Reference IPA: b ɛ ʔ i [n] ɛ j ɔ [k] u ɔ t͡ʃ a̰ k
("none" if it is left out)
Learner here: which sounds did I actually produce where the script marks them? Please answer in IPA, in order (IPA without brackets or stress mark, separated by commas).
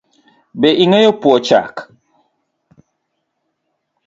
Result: ŋ, p